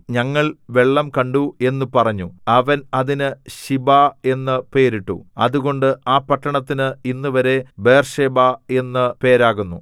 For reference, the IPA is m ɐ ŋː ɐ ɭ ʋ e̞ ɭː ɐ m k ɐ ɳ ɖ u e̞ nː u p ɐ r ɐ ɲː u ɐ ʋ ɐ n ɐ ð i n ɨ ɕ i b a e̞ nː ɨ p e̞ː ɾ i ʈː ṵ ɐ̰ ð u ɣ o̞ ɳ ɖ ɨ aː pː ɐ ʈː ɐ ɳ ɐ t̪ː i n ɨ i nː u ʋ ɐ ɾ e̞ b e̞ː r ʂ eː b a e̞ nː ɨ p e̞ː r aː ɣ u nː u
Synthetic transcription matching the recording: ɲ ɐ ŋː ɐ ɭ ʋ e̞ ɭː ɐ m k ɐ ɳ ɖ u e̞ nː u p ɐ r ɐ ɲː u ɐ ʋ ɐ n ɐ ð i n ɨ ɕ i b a e̞ nː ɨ p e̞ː ɾ i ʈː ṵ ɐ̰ ð u ɣ o̞ ɳ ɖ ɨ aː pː ɐ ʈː ɐ ɳ ɐ t̪ː i n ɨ i nː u ʋ ɐ ɾ e̞ b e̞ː r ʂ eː b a e̞ nː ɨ p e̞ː ɾ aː ɣ u nː u